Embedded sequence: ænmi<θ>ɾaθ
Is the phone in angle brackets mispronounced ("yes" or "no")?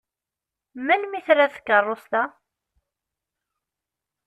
no